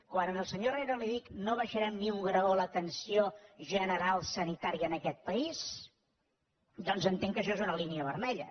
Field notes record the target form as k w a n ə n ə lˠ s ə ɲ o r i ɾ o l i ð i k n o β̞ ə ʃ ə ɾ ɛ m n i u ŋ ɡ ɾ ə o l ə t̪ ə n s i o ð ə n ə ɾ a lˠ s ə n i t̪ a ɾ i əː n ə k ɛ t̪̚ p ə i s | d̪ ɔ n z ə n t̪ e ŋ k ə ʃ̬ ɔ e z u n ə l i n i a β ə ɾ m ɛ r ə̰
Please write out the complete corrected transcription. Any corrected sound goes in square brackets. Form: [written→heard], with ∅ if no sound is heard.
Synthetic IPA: k w a n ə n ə lˠ s ə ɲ o r [i→e] ɾ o l i ð i k n o β̞ ə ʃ ə ɾ ɛ m n i u ŋ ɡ ɾ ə o l ə t̪ ə n s i o [ð→ʒ] ə n ə ɾ a lˠ s ə n i t̪ a ɾ i əː n ə k ɛ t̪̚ p ə i s | d̪ ɔ n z ə n t̪ e ŋ k ə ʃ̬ ɔ e z u n ə l i n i [a→ə] β ə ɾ m ɛ [r→ʎ] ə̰